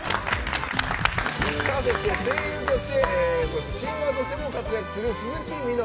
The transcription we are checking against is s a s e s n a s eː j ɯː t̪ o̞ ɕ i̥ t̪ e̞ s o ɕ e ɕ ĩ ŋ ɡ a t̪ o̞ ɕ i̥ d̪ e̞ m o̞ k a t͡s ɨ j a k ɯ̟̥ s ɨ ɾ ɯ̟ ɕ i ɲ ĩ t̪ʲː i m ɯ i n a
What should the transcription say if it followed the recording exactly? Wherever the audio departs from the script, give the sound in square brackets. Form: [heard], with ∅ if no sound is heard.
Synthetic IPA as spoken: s a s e s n [e] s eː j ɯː t̪ o̞ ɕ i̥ t̪ e̞ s o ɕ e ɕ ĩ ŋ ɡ a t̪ o̞ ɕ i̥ [t̪] e̞ m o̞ k a t͡s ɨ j a k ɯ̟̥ s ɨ ɾ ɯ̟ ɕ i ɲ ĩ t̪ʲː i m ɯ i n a